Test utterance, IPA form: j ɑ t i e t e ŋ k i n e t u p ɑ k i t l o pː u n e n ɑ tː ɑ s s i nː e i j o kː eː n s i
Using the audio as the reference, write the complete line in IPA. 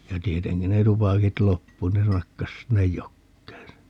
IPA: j ɑ t i e t e ŋ k i n e t u p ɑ k i t l o pː u n e n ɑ kː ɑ s s i nː e j j o kː eː n s e